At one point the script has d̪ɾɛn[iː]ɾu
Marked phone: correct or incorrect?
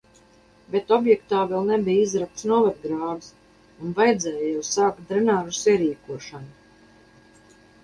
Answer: incorrect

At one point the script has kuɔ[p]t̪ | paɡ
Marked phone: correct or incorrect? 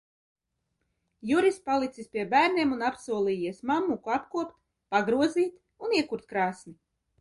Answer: correct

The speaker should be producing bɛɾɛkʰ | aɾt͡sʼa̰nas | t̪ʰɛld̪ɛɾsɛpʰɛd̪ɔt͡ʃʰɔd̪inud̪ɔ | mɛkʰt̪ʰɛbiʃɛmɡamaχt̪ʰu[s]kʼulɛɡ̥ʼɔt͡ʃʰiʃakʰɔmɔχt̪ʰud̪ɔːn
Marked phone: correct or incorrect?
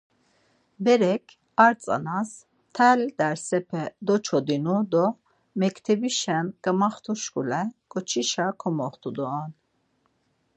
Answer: incorrect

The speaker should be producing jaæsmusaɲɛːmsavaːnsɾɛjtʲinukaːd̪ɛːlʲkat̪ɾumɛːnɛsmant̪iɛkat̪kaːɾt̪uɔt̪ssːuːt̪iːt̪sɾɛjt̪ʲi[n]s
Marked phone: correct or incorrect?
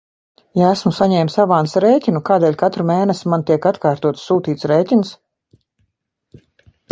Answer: correct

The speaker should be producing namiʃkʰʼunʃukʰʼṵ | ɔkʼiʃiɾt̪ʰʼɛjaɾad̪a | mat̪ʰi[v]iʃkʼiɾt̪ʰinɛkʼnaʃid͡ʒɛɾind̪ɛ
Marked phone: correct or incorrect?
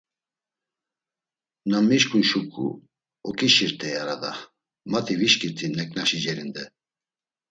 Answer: correct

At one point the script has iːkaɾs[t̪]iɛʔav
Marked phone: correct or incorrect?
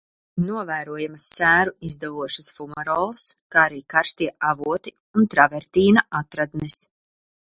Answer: correct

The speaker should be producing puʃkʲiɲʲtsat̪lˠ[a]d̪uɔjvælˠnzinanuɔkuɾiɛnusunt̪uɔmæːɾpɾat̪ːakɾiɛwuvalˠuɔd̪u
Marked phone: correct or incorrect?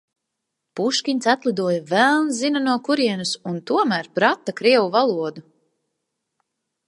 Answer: incorrect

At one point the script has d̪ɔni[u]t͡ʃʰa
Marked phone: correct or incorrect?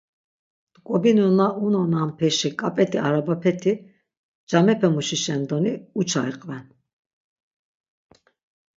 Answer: correct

